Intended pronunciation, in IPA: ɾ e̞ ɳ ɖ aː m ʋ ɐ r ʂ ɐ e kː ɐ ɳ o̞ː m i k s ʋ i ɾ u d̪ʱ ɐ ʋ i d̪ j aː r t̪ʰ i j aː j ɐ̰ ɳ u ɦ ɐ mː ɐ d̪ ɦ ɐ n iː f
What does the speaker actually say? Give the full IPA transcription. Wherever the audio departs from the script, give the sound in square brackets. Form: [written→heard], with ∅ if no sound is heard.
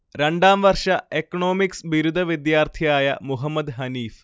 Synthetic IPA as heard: ɾ e̞ ɳ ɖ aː m ʋ ɐ r ʂ ɐ e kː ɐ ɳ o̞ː m i k s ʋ i ɾ u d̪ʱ ɐ ʋ i d̪ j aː r t̪ʰ i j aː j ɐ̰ [ɳ→m] u ɦ ɐ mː ɐ d̪ ɦ ɐ n iː f